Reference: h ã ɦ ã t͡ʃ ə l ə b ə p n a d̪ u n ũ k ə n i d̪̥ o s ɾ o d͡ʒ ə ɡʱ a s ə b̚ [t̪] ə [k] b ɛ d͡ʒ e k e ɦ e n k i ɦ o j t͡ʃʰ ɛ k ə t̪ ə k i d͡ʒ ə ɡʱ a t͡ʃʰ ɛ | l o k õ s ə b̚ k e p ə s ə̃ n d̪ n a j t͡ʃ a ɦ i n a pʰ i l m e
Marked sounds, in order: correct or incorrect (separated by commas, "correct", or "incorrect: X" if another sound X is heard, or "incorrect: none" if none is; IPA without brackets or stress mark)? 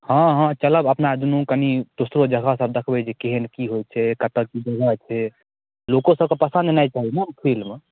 incorrect: d̪, incorrect: kʰ